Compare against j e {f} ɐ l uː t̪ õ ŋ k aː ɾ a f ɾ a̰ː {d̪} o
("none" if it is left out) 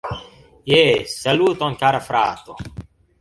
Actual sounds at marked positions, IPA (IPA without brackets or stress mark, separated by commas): s, t̪